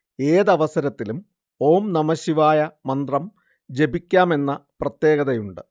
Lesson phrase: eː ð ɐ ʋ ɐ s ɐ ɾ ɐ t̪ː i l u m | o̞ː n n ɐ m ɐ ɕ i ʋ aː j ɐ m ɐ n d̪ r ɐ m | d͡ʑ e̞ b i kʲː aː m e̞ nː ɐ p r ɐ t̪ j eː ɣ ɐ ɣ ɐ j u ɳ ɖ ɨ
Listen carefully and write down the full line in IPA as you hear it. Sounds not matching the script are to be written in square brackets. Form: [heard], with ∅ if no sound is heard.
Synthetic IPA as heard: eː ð ɐ ʋ ɐ s ɐ ɾ ɐ t̪ː i l u m | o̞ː [m] n ɐ m ɐ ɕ i ʋ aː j ɐ m ɐ n d̪ r ɐ m | d͡ʑ e̞ b i kʲː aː m e̞ nː ɐ p r ɐ t̪ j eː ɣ ɐ [ð] ɐ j u ɳ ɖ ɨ